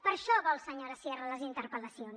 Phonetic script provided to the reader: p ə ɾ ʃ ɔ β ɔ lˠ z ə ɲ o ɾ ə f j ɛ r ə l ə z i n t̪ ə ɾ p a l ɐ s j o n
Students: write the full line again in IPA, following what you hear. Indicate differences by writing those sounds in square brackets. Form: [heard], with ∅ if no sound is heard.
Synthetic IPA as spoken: p ə ɾ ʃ ɔ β ɔ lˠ [s] ə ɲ o ɾ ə [s] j ɛ r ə l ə z i n t̪ ə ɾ p [ə] l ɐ s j o n

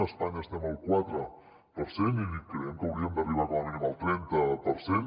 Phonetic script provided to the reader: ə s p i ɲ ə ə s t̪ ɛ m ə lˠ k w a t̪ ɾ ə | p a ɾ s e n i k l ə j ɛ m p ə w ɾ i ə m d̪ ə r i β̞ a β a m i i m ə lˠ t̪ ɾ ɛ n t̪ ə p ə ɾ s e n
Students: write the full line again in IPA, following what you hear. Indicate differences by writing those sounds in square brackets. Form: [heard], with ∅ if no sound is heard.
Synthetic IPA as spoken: ə s p [a] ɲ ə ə s t̪ ɛ m ə lˠ k w a t̪ ɾ ə | p [ə] ɾ s e n i k [ɾ] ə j ɛ m [k] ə w ɾ i ə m d̪ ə r i β̞ a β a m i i m ə lˠ t̪ ɾ ɛ n t̪ ə p ə ɾ s e n

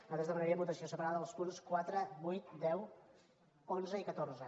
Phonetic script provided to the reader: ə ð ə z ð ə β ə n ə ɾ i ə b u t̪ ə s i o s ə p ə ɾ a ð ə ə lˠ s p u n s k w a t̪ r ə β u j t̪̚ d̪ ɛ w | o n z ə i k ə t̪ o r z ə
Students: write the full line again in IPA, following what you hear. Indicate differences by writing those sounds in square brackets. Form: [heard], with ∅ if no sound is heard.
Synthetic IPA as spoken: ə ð ə z ð ə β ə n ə ɾ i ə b u t̪ ə s i o s ə p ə ɾ a ð ə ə lˠ s p u n s k w a t̪ [ɾ] ə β u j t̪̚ d̪ ɛ w | o n z ə i k ə t̪ o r z ə

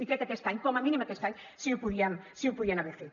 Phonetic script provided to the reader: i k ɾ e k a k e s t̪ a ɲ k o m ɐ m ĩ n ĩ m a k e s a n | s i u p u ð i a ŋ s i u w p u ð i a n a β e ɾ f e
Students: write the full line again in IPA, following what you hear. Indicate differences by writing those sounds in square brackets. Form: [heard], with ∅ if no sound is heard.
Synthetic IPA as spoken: i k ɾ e k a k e s t̪ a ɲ k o m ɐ m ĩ n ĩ m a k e s a [ɲ] | s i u p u ð i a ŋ s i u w p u ð i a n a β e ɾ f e

